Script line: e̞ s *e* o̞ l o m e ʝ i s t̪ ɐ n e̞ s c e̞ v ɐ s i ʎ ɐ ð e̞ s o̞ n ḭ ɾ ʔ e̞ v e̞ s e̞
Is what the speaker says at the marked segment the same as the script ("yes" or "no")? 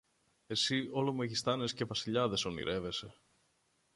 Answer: no